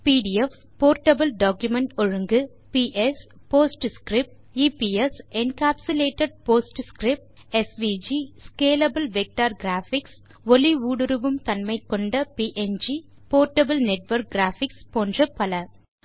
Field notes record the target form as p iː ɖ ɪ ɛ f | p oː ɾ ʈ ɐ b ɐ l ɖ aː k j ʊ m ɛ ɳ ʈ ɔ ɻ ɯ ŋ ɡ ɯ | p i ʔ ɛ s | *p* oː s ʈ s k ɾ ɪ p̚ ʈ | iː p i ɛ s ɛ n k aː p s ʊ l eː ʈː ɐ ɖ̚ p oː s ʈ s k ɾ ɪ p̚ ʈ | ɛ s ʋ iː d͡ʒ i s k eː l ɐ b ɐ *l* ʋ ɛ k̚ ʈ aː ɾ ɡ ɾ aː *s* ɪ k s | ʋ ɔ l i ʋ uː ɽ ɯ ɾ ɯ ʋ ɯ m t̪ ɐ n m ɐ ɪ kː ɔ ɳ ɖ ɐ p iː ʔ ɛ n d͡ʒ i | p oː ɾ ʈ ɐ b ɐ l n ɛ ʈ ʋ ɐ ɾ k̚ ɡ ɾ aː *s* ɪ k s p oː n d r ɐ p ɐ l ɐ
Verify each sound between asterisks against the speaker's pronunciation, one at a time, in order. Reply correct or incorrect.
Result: correct, correct, incorrect, incorrect

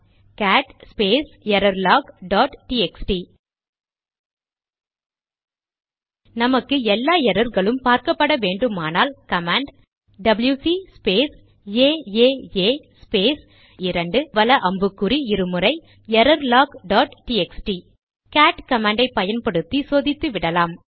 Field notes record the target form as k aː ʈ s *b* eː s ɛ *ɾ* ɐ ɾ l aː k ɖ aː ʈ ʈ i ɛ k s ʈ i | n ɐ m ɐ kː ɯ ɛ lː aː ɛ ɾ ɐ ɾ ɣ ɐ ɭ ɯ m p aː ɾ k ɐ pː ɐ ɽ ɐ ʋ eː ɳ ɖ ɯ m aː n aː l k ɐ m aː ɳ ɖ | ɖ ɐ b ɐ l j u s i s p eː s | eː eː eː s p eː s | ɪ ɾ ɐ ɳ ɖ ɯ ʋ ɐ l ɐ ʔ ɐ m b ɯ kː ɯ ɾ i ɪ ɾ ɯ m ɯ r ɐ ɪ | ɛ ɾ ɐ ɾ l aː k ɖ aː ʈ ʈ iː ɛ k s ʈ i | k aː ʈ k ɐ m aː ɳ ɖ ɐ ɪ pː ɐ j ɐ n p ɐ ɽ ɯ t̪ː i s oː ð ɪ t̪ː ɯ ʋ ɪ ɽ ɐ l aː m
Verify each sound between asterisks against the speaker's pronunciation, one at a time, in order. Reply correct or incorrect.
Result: incorrect, correct

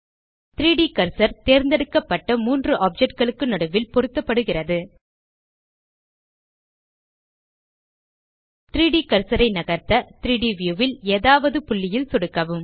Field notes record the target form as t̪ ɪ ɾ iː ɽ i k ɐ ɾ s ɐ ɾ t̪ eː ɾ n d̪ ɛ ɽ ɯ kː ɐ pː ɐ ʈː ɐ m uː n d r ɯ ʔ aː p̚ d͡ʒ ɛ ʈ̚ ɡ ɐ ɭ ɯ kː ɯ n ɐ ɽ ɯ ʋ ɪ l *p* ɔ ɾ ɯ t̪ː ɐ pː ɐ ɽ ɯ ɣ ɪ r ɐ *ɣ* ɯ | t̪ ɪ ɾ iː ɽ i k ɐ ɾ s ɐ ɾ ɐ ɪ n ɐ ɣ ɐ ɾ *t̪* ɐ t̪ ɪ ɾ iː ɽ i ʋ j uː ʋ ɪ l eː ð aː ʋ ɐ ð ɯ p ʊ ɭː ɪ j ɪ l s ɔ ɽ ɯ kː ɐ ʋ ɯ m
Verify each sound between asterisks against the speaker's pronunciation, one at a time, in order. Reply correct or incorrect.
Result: correct, incorrect, correct

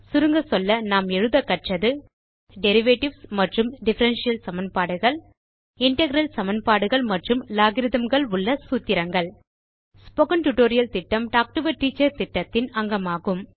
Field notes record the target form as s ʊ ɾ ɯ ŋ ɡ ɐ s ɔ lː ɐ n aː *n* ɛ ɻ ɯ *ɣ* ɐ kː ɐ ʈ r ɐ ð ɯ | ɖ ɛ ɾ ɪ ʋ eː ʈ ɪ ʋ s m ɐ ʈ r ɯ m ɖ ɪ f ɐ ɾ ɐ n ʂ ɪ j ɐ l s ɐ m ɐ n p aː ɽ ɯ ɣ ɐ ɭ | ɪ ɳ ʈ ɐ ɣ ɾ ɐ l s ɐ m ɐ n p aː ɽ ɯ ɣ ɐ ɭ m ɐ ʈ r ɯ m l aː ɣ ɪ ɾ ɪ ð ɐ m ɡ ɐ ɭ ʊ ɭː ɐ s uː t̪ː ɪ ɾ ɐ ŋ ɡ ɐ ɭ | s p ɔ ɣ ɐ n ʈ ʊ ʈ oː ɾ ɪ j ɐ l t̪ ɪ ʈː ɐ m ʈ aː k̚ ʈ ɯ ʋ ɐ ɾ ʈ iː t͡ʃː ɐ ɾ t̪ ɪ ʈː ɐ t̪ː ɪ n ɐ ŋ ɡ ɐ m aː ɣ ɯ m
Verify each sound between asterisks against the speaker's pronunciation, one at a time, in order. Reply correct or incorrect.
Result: incorrect, incorrect

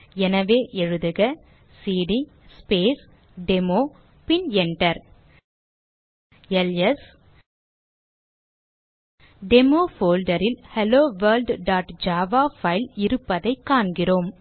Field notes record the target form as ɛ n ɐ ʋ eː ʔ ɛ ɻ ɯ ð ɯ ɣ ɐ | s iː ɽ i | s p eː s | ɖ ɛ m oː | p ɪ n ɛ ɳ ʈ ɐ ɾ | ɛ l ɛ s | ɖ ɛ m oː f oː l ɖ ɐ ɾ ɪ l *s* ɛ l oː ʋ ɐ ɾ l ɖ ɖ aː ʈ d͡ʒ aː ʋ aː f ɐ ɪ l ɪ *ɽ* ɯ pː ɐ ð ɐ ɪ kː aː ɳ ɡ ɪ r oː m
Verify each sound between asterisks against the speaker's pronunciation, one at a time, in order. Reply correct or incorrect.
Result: incorrect, incorrect

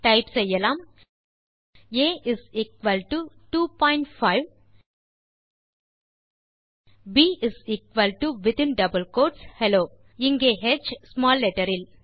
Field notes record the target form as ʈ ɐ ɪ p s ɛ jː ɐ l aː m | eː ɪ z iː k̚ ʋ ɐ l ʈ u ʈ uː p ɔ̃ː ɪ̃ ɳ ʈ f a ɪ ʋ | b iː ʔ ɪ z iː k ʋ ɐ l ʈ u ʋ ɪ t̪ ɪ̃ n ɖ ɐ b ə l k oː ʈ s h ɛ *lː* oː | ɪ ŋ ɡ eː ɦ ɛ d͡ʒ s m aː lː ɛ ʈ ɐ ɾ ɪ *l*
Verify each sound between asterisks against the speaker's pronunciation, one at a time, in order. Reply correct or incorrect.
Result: incorrect, correct

